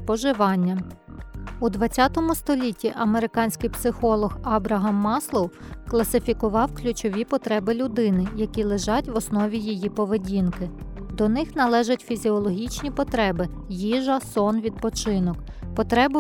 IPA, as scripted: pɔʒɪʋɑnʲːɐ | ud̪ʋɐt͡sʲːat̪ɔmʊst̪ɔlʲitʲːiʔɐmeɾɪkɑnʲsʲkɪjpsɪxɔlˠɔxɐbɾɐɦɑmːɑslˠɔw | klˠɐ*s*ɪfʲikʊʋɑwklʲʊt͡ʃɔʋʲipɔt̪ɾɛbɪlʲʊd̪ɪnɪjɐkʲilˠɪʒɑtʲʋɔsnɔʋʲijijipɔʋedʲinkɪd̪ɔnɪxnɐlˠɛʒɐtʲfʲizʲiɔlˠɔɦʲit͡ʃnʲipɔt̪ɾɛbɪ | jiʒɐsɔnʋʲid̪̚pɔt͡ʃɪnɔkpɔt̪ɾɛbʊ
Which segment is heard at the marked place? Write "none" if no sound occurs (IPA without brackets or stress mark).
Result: s